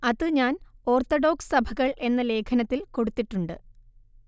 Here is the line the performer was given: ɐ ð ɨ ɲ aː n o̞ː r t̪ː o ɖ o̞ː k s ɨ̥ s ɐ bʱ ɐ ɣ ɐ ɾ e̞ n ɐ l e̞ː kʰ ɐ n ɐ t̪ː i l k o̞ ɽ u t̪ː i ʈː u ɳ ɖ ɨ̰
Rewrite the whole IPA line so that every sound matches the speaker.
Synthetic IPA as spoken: ɐ ð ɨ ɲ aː n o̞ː r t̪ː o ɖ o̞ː k s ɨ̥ s ɐ bʱ ɐ ɣ ɐ ɭ e̞ nː ɐ l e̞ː kʰ ɐ n ɐ t̪ː i l k o̞ ɽ u t̪ː i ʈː u ɳ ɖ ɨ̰